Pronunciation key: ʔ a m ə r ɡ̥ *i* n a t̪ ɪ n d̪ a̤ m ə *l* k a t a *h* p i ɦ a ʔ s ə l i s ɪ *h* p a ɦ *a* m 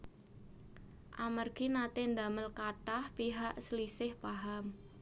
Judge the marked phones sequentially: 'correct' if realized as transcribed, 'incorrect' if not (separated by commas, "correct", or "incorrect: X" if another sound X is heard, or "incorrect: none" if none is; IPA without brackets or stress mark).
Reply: correct, correct, correct, correct, correct